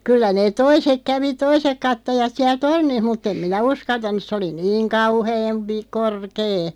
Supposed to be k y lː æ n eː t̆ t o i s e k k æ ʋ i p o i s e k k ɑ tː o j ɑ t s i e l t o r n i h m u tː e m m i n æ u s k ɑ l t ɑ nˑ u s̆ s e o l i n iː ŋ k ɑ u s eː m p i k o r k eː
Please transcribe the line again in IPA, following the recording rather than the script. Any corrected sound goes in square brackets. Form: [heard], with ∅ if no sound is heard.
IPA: k y lː æ n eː t̆ t o i s e k k æ ʋ i [t] o i s e k k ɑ tː o j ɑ t s i [æ] l t o r n i h m u tː e m m i n æ u s k ɑ l t ɑ nˑ u s̆ s e o l i n iː ŋ k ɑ u [h] eː m p i k o r k eː